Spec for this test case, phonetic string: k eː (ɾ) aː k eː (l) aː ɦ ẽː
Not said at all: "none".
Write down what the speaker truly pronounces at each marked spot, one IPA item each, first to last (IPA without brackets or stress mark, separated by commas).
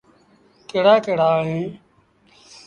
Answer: ɽ, ɽ